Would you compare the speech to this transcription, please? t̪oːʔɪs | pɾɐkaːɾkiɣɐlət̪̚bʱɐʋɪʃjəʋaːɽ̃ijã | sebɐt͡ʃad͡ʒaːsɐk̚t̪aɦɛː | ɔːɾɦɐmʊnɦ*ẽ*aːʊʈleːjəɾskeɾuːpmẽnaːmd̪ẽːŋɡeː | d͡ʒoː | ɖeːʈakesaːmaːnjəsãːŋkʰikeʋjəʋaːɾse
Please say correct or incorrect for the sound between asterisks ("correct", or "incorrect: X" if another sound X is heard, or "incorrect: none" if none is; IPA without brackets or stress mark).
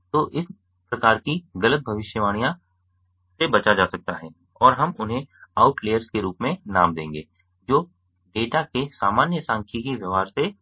correct